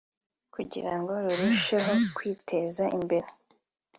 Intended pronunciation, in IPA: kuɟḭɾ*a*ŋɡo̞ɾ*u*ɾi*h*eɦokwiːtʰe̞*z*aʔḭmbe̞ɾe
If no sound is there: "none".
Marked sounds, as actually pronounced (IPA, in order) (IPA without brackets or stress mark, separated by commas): a, u, ʃ, z